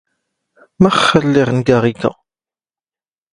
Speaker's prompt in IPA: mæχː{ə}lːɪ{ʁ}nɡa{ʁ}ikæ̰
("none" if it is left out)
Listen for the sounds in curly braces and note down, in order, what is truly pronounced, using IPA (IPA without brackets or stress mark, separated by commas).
ə, ʁ, ʁ